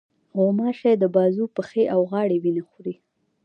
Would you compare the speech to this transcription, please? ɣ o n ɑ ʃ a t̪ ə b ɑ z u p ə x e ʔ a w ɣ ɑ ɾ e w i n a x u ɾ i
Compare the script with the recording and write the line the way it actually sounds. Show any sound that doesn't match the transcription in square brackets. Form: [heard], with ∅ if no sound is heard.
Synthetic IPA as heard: ɣ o [m] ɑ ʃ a [d̪] ə b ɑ z u p ə x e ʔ a w ɣ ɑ [ɽ] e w i n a x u ɾ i